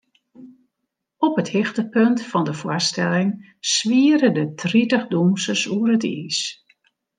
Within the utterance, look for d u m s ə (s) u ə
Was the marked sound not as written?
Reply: no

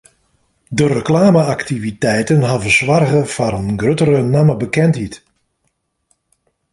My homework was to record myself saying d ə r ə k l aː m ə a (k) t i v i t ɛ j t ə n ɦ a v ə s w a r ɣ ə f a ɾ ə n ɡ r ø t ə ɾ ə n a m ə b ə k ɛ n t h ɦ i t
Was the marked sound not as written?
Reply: no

